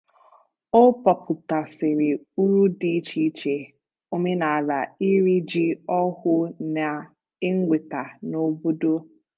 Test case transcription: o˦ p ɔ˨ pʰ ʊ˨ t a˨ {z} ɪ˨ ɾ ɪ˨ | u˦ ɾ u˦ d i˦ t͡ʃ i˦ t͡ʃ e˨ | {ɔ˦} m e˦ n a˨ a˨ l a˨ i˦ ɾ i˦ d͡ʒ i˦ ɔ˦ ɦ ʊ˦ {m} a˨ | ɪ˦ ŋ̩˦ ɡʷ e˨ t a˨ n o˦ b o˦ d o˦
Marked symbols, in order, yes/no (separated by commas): no, no, no